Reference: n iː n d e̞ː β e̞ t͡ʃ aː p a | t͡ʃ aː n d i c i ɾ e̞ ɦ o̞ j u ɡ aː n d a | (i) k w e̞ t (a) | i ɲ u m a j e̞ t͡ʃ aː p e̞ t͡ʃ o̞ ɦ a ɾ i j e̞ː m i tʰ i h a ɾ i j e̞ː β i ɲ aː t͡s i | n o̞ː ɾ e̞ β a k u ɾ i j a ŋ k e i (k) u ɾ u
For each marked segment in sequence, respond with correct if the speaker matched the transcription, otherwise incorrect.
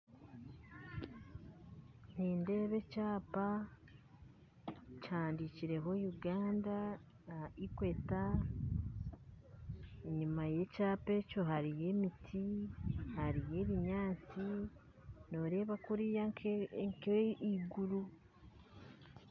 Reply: correct, correct, incorrect: ɡ

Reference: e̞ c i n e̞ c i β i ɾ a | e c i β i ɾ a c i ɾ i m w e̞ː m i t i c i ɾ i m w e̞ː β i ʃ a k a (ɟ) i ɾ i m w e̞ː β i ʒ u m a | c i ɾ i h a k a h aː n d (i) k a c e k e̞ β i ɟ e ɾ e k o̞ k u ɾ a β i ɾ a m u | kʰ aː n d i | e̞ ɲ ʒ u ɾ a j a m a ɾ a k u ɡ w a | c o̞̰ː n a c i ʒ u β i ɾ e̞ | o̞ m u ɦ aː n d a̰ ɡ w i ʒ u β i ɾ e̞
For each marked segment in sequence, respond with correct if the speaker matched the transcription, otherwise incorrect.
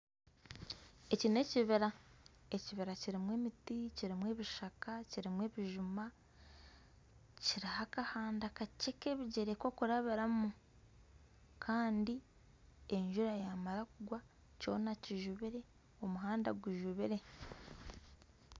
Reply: incorrect: c, incorrect: a

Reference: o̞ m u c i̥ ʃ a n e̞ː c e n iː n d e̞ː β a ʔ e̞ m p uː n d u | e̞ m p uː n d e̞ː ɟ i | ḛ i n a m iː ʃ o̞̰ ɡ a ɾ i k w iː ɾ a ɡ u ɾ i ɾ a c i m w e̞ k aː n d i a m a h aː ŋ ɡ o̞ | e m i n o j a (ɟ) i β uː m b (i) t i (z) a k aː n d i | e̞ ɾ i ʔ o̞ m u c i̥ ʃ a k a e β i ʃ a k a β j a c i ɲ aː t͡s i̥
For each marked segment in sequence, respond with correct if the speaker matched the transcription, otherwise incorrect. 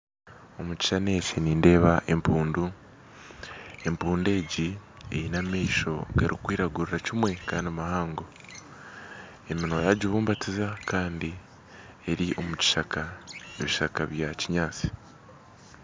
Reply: correct, incorrect: a, correct

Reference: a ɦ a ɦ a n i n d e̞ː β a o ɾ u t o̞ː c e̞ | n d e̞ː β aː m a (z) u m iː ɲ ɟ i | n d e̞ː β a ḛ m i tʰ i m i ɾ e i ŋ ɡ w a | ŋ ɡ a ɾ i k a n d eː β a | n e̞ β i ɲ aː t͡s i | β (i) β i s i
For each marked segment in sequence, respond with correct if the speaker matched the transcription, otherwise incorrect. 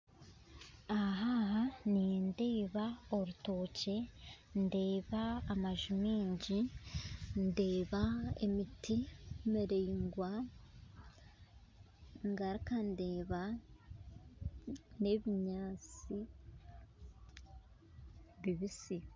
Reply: incorrect: ʒ, correct

